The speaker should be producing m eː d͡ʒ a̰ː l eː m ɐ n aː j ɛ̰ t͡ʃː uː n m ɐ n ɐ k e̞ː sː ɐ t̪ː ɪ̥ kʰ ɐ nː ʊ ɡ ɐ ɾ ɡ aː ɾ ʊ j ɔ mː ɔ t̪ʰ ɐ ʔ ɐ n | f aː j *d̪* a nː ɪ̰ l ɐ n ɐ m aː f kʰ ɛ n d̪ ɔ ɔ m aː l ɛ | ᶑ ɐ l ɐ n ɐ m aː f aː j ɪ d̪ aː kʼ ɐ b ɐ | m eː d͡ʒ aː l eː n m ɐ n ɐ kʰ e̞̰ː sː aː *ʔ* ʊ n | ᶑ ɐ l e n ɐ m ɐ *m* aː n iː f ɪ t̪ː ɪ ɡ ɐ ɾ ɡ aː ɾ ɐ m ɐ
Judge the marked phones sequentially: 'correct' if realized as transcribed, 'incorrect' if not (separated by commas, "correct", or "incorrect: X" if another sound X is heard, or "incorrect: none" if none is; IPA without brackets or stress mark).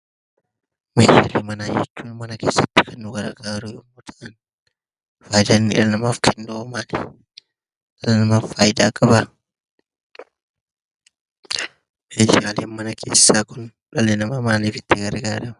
correct, incorrect: k, correct